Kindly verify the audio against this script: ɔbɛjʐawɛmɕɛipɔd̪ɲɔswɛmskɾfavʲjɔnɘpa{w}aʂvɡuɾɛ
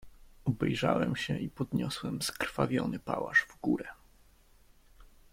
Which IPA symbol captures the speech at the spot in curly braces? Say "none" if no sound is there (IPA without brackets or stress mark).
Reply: w